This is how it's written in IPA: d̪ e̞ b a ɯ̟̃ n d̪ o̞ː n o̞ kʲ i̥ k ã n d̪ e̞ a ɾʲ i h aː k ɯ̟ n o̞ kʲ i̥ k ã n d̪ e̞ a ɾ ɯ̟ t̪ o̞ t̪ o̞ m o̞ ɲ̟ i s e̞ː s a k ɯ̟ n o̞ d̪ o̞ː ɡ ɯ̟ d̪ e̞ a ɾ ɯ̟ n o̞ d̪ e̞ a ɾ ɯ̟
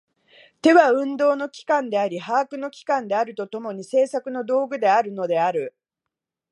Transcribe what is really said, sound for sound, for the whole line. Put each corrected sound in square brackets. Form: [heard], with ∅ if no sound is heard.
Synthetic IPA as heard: [t̪] e̞ [β] a ɯ̟̃ n d̪ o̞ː n o̞ kʲ i̥ k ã n d̪ e̞ a ɾʲ i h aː k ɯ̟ n o̞ kʲ i̥ k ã n d̪ e̞ a ɾ ɯ̟ t̪ o̞ t̪ o̞ m o̞ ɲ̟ i s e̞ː s a k ɯ̟ n o̞ d̪ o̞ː ɡ ɯ̟ d̪ e̞ a ɾ ɯ̟ n o̞ d̪ e̞ a ɾ ɯ̟

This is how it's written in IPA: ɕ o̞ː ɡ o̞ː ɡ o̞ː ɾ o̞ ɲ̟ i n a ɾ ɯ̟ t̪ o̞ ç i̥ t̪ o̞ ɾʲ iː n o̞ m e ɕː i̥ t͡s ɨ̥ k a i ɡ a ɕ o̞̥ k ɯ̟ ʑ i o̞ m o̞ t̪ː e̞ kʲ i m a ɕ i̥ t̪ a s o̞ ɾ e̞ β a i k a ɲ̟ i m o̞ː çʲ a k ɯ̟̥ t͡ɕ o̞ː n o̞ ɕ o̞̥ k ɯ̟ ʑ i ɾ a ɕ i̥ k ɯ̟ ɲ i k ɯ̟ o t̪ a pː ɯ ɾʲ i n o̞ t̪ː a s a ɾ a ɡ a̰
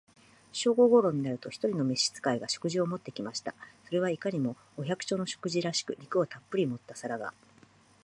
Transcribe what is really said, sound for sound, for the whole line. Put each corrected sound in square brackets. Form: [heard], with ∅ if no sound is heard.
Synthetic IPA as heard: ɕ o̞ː ɡ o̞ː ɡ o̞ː ɾ o̞ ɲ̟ i n a ɾ ɯ̟ t̪ o̞ ç i̥ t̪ o̞ ɾʲ [i] n o̞ m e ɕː i̥ t͡s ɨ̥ k a i ɡ a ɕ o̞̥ k ɯ̟ ʑ i o̞ m o̞ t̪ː e̞ kʲ i m a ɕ i̥ t̪ a s o̞ ɾ e̞ β a i k a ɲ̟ i m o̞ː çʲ a k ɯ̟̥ t͡ɕ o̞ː n o̞ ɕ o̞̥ k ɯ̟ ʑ i ɾ a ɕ i̥ k ɯ̟ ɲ i k ɯ̟ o t̪ a pː ɯ ɾʲ i [m] o̞ t̪ː a s a ɾ a ɡ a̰

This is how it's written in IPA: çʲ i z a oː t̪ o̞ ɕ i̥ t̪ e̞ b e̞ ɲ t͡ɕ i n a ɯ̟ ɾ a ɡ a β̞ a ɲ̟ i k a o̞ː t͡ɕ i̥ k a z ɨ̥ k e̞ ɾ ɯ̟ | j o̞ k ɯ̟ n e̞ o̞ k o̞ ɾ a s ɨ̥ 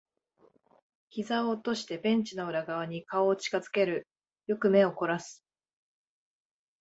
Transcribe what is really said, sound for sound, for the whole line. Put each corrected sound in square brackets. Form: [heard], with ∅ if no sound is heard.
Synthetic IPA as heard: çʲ i z a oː t̪ o̞ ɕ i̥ t̪ e̞ b [ẽ̞] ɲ t͡ɕ i n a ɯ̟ ɾ a ɡ a β̞ a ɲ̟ i k a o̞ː t͡ɕ i̥ k a z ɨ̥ k e̞ ɾ ɯ̟ | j o̞ k ɯ̟ [m] e̞ o̞ k o̞ ɾ a s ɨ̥

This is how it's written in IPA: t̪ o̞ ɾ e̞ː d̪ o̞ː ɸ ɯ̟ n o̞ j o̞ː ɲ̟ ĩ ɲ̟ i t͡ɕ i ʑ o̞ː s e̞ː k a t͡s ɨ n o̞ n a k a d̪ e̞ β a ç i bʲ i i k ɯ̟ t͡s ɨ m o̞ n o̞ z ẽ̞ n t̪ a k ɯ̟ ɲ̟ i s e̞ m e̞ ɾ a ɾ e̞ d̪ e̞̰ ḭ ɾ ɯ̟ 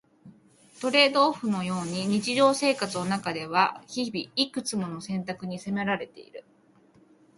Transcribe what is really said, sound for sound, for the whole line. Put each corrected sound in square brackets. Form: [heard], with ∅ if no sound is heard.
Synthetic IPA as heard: t̪ o̞ ɾ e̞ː d̪ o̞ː ɸ ɯ̟ n o̞ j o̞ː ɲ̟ [i] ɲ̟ i t͡ɕ i ʑ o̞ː s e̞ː k a t͡s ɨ n o̞ n a k a d̪ e̞ β a ç i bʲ i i k ɯ̟ t͡s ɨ m o̞ n o̞ [s] ẽ̞ n t̪ a k ɯ̟ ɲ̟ i s e̞ m e̞ ɾ a ɾ e̞ [t̪] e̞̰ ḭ ɾ ɯ̟

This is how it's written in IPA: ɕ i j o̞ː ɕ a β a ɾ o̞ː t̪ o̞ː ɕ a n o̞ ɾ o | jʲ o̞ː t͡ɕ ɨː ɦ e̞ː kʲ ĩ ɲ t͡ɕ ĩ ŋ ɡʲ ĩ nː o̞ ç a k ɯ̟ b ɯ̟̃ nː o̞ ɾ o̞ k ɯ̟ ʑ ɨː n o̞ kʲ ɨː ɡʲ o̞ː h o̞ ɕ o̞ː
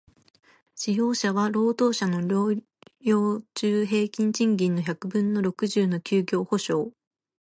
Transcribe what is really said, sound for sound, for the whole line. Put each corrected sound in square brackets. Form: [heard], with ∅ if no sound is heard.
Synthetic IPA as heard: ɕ i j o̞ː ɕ a β a ɾ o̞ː t̪ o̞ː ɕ a n o̞ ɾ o | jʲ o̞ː t͡ɕ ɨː ɦ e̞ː kʲ ĩ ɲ t͡ɕ ĩ ŋ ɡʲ ĩ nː o̞ ç a k ɯ̟ b ɯ̟̃ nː o̞ ɾ o̞ k ɯ̟ ʑ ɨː n o̞ kʲ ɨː ɡʲ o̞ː h o̞ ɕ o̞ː

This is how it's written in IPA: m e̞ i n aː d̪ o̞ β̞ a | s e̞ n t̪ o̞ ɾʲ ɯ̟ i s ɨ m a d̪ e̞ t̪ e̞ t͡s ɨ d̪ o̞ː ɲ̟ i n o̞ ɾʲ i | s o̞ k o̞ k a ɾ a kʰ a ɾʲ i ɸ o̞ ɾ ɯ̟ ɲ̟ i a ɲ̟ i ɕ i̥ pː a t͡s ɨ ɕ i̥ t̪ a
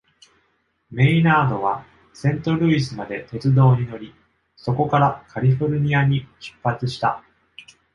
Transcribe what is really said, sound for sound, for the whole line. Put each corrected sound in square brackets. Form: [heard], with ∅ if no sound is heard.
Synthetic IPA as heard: m e̞ i n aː d̪ o̞ β̞ a | s [ẽ̞] n t̪ o̞ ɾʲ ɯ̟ i s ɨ m a d̪ e̞ t̪ e̞ t͡s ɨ d̪ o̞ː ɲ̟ i n o̞ ɾʲ i | s o̞ k o̞ k a ɾ a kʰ a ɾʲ i ɸ o̞ ɾ ɯ̟ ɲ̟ i a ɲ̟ i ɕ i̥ pː a t͡s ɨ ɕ i̥ t̪ a

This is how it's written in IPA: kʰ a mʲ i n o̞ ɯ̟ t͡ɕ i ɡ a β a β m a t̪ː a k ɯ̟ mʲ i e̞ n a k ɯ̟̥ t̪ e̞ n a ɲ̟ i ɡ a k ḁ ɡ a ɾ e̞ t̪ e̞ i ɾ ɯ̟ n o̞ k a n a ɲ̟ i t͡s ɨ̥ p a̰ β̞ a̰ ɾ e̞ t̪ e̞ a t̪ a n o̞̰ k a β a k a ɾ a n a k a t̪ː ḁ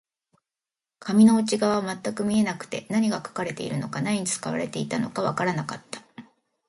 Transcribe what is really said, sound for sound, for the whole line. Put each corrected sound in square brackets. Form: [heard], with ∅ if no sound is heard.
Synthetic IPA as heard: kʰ a mʲ i n o̞ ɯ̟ t͡ɕ i ɡ a β a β m a t̪ː a k ɯ̟ mʲ i e̞ n a k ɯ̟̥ t̪ e̞ n a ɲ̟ i ɡ a k ḁ [k] a ɾ e̞ t̪ e̞ i ɾ ɯ̟ n o̞ k a n a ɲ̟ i t͡s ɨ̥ [k] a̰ β̞ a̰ ɾ e̞ t̪ e̞ [i] t̪ a n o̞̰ k a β a k a ɾ a n a k a t̪ː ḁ

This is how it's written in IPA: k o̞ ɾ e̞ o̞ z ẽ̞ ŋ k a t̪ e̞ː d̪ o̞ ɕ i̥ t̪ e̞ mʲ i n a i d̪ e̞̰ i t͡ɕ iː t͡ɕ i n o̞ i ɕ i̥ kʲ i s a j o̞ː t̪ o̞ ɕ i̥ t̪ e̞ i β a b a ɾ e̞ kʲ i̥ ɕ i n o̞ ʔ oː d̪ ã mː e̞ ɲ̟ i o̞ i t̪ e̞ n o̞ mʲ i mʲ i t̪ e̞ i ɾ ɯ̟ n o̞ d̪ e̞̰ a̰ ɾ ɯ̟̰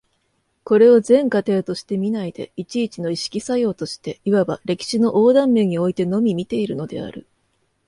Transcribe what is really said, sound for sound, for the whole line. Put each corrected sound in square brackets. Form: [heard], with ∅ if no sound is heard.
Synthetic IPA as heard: k o̞ ɾ e̞ o̞ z ẽ̞ ŋ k a t̪ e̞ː [t̪] o̞ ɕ i̥ t̪ e̞ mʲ i n a i d̪ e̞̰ i t͡ɕ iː t͡ɕ i n o̞ i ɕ i̥ kʲ i s a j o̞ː t̪ o̞ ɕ i̥ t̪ e̞ i β a b a ɾ e̞ kʲ i̥ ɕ i n o̞ ʔ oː d̪ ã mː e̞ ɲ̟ i o̞ i t̪ e̞ n o̞ mʲ i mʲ i t̪ e̞ i ɾ ɯ̟ n o̞ d̪ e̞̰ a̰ ɾ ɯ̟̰

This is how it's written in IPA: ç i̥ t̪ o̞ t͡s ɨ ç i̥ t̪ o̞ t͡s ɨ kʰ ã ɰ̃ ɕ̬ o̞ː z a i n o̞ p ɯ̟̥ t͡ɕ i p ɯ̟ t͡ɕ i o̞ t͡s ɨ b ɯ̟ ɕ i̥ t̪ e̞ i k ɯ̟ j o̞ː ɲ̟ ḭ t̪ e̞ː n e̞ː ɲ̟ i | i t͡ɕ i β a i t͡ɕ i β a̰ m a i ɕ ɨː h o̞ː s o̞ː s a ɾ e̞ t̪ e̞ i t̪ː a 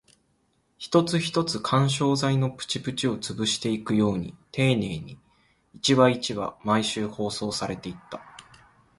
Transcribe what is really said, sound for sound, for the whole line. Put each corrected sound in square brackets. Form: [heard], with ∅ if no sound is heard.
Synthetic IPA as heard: ç i̥ t̪ o̞ t͡s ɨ ç i̥ t̪ o̞ t͡s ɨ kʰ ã ɰ̃ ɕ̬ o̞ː z a i n o̞ p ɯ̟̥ t͡ɕ i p ɯ̟ t͡ɕ i o̞ t͡s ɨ b ɯ̟ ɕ i̥ t̪ e̞ i k ɯ̟ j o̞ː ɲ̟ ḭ t̪ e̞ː n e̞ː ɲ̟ i | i t͡ɕ i β a i t͡ɕ i β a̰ m a i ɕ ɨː h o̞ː s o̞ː s a ɾ e̞ t̪ e̞ i t̪ː a

